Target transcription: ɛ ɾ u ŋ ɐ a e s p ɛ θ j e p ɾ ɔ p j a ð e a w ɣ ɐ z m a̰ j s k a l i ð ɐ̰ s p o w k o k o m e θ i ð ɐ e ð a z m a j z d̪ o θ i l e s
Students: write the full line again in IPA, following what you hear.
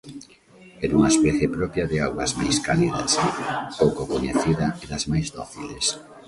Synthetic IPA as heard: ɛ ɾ u ŋ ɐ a e s p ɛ θ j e p ɾ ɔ p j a ð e a w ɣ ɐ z m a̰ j s k a l i ð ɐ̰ s p o w k o k o ɲ e θ i ð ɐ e ð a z m a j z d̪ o θ i l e s

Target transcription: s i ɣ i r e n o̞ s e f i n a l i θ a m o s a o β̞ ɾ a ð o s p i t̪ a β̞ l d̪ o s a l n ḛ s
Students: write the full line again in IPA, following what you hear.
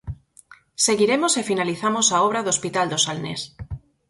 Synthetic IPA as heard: s e ɣ i ɾ e m o̞ s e f i n a l i θ a m o s a o β̞ ɾ a ð o s p i t̪ a l d̪ o s a l n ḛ s

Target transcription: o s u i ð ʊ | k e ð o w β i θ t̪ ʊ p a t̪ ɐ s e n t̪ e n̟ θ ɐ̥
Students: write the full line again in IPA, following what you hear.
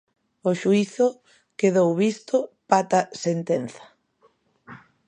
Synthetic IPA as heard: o ʃ u i θ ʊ | k e ð o w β i s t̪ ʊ p a t̪ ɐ s e n t̪ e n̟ θ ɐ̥

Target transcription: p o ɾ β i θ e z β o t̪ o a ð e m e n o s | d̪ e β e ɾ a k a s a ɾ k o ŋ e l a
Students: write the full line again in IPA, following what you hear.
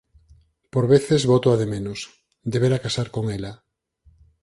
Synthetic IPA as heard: p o ɾ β e θ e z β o t̪ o a ð e m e n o s | d̪ e β e ɾ a k a s a ɾ k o ŋ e l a

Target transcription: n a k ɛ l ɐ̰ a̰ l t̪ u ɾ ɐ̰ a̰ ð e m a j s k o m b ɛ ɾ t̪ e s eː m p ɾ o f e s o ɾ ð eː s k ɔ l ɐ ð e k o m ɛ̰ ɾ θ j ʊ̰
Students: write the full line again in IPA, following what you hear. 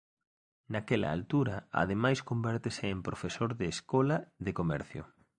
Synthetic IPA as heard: n a k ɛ l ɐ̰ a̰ l t̪ u ɾ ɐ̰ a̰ ð e m a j s k o m b ɛ ɾ t̪ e s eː m p ɾ o f e s o ɾ ð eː s k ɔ l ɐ ð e k o m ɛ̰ ɾ θ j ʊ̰

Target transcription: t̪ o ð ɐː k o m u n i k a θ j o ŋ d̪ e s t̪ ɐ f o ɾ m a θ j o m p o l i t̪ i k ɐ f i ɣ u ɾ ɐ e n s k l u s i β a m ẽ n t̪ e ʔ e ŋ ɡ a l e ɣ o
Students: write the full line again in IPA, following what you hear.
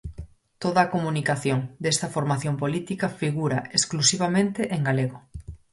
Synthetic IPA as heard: t̪ o ð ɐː k o m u n i k a θ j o ŋ d̪ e s t̪ ɐ f o ɾ m a θ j o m p o l i t̪ i k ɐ f i ɣ u ɾ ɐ e s k l u s i β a m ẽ n t̪ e ʔ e ŋ ɡ a l e ɣ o

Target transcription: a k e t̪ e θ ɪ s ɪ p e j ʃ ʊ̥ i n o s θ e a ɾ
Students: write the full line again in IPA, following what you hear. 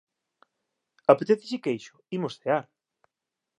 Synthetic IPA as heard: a p e t̪ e θ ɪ s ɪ k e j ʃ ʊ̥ i m o s θ e a ɾ

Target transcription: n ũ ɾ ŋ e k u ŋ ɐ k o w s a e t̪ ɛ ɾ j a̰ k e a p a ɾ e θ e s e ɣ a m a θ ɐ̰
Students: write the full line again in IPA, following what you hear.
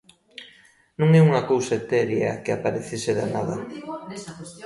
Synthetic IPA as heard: n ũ ŋ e u ŋ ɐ k o w s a e t̪ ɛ ɾ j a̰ k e a p a ɾ e θ e s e ð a n a ð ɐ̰

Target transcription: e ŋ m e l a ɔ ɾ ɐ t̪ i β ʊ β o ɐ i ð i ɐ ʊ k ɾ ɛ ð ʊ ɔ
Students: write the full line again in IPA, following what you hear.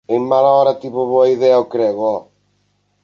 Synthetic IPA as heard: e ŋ m a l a ɔ ɾ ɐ t̪ i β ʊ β o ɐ i ð ɛ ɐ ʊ k ɾ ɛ ɣ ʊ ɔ

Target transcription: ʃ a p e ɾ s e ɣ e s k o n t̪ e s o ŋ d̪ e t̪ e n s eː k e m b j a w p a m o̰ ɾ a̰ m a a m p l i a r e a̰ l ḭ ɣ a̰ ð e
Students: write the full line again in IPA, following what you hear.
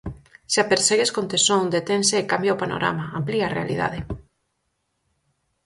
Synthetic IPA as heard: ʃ a p e ɾ s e ɣ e s k o n t̪ e s o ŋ d̪ e t̪ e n s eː k a m b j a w p a n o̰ ɾ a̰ m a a m p l i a r e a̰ l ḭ ð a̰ ð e

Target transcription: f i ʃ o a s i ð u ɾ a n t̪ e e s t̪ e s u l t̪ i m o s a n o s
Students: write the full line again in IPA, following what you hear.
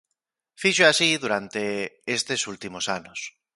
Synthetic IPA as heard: f i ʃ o a s i ð u ɾ a n t̪ e e s t̪ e s u l t̪ i m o s a n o s

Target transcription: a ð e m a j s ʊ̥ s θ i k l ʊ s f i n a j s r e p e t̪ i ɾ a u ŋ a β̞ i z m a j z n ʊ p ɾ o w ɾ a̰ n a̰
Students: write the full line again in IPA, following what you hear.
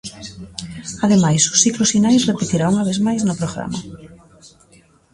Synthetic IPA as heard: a ð e m a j s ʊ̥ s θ i k l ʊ s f i n a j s r e p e t̪ i ɾ a u ŋ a β̞ e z m a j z n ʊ p ɾ o ɣ ɾ a̰ m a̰

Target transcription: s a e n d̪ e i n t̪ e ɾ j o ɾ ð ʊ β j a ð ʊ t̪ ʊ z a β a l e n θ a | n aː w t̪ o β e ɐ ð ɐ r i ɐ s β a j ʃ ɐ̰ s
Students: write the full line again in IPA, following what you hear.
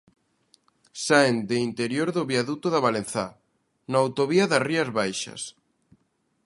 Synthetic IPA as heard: s a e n d̪ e i n t̪ e ɾ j o ɾ ð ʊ β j a ð u t̪ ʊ ð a β a l e n θ a | n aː w t̪ o β i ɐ ð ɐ r i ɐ z β a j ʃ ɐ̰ s

